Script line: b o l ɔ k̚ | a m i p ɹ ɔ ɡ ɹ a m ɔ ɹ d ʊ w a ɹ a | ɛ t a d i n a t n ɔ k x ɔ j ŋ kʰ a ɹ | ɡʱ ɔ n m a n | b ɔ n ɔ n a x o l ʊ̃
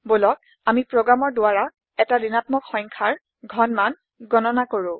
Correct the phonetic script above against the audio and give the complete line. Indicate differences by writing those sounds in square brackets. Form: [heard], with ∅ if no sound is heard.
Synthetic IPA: b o l ɔ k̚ | a m i p ɹ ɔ ɡ ɹ a m ɔ ɹ d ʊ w a ɹ a | ɛ t a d i n a t [m] ɔ k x ɔ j ŋ kʰ a ɹ | ɡʱ ɔ n m a n | [ɡ] ɔ n ɔ n a [k] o [ɹ] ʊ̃